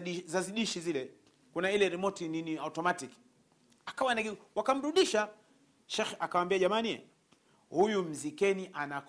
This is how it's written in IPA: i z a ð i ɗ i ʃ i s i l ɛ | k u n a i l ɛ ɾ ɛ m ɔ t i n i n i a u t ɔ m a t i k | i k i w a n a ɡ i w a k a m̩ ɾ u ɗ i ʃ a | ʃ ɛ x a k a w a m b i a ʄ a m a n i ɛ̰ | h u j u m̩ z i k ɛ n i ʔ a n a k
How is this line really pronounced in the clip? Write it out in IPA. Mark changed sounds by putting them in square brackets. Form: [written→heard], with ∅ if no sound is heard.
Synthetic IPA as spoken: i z a [ð→z] i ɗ i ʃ i [s→z] i l ɛ | k u n a i l ɛ ɾ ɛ m ɔ t i n i n i a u t ɔ m a t i k | [i→a] k [i→a] w a n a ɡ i w a k a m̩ ɾ u ɗ i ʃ a | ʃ ɛ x a k a w a m b i a ʄ a m a n i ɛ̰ | h u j u m̩ z i k ɛ n i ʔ a n a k